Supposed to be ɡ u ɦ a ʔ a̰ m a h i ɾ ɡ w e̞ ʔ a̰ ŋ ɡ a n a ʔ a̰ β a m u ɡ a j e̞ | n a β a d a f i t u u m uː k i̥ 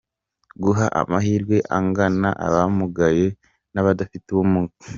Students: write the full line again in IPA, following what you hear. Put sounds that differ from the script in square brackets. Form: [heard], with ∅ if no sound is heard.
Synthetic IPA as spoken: ɡ u ɦ a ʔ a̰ m a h i ɾ ɡ w e̞ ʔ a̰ ŋ ɡ a n a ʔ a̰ β a m u ɡ a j e̞ | n a β a d a f i t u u m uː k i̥